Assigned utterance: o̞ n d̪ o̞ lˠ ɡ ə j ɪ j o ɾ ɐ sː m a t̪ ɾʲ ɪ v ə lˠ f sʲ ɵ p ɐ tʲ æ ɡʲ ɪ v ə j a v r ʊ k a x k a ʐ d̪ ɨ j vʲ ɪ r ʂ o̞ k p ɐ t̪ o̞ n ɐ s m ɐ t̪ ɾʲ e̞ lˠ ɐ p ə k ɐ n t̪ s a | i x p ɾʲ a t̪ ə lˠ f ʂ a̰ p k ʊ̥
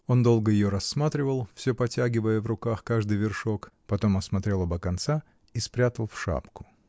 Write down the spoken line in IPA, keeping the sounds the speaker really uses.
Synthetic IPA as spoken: o̞ n d̪ o̞ lˠ ɡ ə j ɪ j o ɾ ɐ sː m a t̪ ɾʲ ɪ v ə lˠ f sʲ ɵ p ɐ tʲ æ ɡʲ ɪ v ə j ə v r ʊ k a x k a ʐ d̪ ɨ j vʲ ɪ r ʂ o̞ k p ɐ t̪ o̞ m ɐ s m ɐ t̪ ɾʲ e̞ lˠ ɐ b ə k ɐ n t̪ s a | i s p ɾʲ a t̪ ə lˠ f ʂ a̰ p k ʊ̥